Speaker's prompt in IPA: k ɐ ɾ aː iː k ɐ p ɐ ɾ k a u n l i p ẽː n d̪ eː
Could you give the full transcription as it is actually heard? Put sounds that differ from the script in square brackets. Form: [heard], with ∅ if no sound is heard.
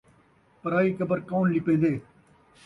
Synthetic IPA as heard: [p] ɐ ɾ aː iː k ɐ [b] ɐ ɾ k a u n l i p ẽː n d̪ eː